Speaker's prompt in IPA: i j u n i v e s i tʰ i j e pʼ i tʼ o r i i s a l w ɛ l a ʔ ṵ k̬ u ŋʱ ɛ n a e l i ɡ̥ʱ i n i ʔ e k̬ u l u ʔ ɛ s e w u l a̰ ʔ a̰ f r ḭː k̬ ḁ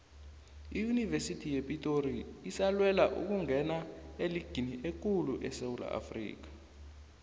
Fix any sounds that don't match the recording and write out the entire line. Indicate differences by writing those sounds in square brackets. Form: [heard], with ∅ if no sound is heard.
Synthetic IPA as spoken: i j u n i v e s i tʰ i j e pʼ i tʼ o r i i s a l w ɛ l a ʔ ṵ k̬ u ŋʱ ɛ n a e l i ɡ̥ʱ i n i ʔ e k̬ u l u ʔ ɛ s e w u l a̰ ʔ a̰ f r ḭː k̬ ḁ